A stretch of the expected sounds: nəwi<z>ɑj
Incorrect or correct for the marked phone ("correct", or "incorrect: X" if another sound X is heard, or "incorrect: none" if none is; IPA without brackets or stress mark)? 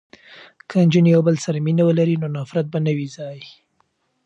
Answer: correct